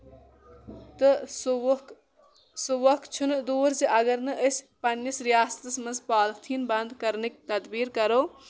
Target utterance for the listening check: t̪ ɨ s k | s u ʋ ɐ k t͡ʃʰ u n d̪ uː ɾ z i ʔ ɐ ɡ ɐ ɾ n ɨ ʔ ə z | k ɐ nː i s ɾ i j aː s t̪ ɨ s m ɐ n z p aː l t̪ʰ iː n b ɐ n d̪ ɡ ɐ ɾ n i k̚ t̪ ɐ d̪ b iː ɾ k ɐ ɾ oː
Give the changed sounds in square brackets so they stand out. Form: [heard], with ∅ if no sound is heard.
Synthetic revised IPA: t̪ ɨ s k | s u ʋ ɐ k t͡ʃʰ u n d̪ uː ɾ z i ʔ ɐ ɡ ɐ ɾ n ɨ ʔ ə [s] | [p] ɐ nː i s ɾ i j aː s t̪ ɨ s m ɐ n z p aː l t̪ʰ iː n b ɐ n d̪ [k] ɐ ɾ n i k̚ t̪ ɐ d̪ b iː ɾ k ɐ ɾ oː